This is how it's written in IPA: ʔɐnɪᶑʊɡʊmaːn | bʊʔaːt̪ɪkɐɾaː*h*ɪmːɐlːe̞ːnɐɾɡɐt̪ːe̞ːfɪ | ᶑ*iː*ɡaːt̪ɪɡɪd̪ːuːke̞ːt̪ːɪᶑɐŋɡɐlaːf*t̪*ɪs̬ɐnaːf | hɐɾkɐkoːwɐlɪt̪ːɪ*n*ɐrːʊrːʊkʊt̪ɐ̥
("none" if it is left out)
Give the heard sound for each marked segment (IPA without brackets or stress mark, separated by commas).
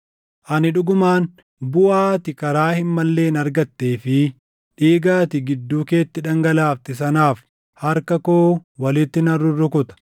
h, iː, t̪, n